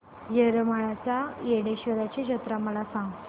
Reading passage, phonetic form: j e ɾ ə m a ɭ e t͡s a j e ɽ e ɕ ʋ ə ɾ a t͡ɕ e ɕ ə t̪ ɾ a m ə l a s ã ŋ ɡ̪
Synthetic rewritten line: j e ɾ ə m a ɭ a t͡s a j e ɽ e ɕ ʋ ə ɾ a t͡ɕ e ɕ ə t̪ ɾ a m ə l a s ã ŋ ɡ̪

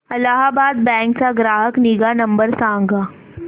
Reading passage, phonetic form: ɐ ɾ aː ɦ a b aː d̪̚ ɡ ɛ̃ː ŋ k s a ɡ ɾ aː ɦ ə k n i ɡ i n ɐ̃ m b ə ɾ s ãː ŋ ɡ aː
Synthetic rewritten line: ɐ l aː ɦ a b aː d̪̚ b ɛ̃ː ŋ k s a ɡ ɾ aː ɦ ə k n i ɡ a n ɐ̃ m b ə ɾ s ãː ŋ ɡ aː

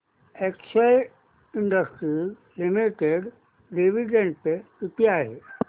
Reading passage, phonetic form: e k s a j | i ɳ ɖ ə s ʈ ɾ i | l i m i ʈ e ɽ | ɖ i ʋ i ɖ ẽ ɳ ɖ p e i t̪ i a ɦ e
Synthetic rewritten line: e k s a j | i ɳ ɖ ə s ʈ ɾ i | l i m i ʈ e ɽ | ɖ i ʋ i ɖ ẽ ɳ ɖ p e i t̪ i a ɦ e

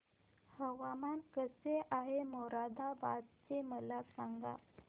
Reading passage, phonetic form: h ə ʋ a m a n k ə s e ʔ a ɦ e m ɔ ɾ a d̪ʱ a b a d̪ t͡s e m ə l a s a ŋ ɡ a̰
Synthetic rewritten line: h ə ʋ a m a n k ə s e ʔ a ɦ e m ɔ ɾ a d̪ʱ a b a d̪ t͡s e m ə l a s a ŋ ɡ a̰

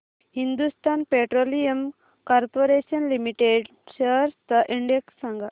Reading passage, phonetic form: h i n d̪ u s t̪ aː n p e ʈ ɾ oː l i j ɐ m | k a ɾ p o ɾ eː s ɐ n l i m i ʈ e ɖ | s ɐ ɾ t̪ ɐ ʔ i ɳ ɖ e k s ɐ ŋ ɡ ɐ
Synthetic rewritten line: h i n d̪ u s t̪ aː n p e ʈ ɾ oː l i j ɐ m | k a ɾ p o ɾ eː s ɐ n l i m i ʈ e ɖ | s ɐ ɾ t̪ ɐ ʔ i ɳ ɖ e k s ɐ ŋ ɡ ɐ

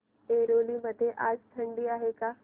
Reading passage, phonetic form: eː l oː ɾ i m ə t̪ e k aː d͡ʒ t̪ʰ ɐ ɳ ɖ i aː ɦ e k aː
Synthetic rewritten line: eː ɾ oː l i m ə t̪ e ʔ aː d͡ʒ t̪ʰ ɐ ɳ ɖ i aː ɦ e k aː

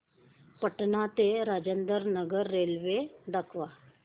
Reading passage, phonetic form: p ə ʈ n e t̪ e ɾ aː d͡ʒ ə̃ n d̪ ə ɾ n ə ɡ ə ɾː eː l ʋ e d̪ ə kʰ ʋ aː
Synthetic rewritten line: p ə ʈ n a t̪ e ɾ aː d͡ʒ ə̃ n d̪ ə ɾ n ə ɡ ə ɾː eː l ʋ e d̪ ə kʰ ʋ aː

